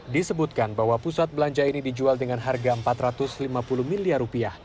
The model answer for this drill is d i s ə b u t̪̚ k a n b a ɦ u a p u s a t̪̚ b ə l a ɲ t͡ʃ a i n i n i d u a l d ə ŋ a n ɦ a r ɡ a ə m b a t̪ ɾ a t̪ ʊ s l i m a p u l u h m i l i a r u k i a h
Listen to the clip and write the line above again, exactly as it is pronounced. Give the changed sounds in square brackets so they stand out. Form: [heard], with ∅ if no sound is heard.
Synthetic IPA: d i s ə b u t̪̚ k a n b a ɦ [w] a p u s a t̪̚ b ə l a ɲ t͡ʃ a i n i [d] i [d͡ʒ] u a l d ə ŋ a n ɦ a r ɡ a ə m [p] a t̪ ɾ a t̪ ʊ s l i m a p u l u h m i l i a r u [p] i a h